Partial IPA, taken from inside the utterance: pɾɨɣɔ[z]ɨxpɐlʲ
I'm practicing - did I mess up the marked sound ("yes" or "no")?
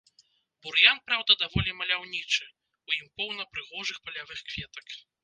yes